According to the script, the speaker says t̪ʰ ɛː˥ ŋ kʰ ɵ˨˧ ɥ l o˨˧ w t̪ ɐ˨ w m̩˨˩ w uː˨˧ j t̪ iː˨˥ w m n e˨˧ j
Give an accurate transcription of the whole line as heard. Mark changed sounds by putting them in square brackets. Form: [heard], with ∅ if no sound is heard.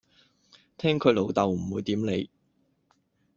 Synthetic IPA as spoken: t̪ʰ ɛː˥ ŋ kʰ ɵ˨˧ ɥ l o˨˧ w t̪ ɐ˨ w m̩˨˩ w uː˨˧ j t̪ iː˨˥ [∅] m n e˨˧ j